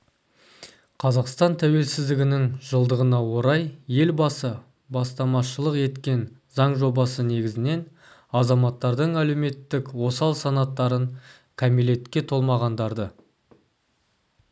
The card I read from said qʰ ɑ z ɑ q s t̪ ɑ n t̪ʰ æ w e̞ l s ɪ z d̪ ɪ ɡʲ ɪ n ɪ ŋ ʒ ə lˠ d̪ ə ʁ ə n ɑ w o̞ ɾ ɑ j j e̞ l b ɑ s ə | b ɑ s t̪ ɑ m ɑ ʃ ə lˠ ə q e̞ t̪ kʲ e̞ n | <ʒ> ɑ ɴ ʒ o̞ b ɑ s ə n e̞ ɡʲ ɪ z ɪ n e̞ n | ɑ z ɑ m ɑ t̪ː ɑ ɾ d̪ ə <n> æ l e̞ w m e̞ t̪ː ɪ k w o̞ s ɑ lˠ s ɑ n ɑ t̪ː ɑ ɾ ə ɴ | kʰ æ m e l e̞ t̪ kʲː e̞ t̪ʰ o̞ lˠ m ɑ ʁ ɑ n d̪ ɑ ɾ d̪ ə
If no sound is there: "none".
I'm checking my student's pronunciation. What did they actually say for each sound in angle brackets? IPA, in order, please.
z, ɴ

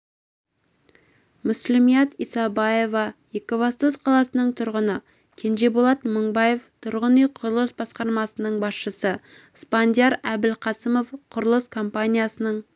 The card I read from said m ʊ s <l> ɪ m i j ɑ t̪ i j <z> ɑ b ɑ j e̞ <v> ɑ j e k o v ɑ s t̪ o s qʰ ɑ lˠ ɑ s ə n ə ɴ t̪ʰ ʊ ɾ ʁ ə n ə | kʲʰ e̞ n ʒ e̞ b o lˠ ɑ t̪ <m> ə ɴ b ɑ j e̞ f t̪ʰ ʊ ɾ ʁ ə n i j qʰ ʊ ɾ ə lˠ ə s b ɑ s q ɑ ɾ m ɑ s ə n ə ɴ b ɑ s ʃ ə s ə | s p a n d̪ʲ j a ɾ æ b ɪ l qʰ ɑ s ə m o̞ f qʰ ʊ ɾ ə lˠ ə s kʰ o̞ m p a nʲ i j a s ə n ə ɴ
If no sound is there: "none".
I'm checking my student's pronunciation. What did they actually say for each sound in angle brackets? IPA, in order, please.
l, s, v, m

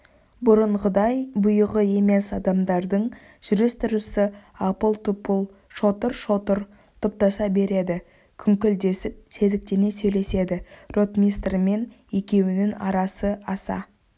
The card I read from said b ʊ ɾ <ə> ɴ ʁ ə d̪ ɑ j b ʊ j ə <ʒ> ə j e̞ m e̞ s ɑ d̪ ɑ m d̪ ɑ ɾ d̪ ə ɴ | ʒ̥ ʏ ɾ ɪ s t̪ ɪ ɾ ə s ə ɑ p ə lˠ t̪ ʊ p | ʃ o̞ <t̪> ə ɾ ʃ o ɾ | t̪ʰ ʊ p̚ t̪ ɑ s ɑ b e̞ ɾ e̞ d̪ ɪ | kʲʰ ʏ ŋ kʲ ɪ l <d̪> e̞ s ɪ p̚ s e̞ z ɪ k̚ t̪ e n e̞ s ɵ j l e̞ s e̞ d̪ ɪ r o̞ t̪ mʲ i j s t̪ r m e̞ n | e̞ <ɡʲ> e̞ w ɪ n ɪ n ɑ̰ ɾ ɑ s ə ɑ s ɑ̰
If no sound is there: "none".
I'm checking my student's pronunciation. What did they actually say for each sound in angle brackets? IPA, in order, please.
ə, ʁ, t̪, d̪, kʲ

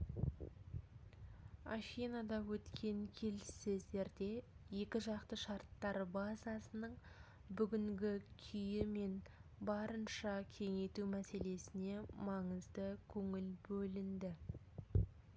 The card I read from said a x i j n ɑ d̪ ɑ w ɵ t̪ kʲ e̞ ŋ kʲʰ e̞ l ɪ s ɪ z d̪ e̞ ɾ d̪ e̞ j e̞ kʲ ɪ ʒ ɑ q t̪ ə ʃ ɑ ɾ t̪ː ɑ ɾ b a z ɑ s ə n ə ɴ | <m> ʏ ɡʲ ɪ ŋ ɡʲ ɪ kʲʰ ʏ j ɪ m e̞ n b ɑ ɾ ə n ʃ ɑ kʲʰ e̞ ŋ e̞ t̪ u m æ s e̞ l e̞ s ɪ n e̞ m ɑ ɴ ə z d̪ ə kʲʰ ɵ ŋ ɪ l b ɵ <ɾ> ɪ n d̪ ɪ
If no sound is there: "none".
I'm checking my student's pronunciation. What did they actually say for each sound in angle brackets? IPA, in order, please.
b, l

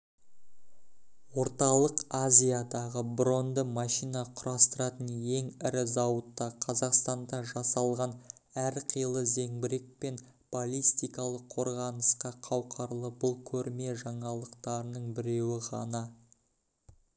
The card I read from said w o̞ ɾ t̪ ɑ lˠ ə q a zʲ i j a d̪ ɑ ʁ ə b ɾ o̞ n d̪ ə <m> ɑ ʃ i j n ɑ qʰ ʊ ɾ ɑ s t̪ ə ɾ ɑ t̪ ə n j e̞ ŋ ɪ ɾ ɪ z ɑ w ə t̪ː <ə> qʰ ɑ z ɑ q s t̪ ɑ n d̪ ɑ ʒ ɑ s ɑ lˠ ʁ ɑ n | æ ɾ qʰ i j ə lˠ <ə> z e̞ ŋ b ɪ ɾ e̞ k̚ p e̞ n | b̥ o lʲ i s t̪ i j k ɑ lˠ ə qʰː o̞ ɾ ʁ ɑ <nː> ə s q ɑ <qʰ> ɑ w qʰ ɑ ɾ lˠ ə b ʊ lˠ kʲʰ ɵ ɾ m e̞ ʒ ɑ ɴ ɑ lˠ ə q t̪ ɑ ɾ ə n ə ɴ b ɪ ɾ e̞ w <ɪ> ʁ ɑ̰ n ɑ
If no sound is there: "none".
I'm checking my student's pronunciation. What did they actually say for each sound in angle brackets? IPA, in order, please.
m, ɑ, ə, n, qʰ, ɪ

